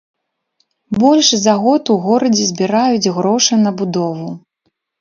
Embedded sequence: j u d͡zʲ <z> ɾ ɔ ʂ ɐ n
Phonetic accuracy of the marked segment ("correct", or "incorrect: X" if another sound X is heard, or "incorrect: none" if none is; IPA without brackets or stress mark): incorrect: ɣ